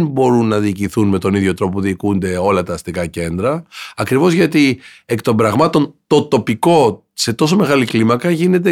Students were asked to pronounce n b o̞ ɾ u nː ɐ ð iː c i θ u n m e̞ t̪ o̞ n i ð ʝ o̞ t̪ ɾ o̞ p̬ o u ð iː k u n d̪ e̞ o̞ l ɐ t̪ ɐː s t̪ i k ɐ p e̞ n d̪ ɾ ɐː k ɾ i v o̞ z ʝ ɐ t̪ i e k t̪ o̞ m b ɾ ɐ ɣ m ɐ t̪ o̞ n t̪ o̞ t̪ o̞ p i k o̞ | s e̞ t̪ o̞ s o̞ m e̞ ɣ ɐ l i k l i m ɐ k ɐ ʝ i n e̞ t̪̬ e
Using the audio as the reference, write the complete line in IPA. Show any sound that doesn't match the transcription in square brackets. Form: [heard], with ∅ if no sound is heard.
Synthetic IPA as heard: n b o̞ ɾ u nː ɐ ð iː c i θ u n m e̞ t̪ o̞ n i ð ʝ o̞ t̪ ɾ o̞ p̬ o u ð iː k u n d̪ e̞ o̞ l ɐ t̪ ɐː s t̪ i k ɐ [c] e̞ n d̪ ɾ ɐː k ɾ i v o̞ z ʝ ɐ t̪ i e k t̪ o̞ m b ɾ ɐ ɣ m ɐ t̪ o̞ n t̪ o̞ t̪ o̞ p i k o̞ | s e̞ t̪ o̞ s o̞ m e̞ ɣ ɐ l i k l i m ɐ k ɐ ʝ i n e̞ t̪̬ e